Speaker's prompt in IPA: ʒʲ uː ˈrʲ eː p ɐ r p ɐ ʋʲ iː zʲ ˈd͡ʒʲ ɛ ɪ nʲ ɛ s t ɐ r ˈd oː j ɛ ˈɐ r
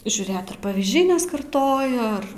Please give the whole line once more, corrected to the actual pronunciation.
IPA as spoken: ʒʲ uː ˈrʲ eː t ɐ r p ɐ ʋʲ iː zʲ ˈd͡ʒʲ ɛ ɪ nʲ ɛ s k ɐ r ˈt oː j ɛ ˈɐ r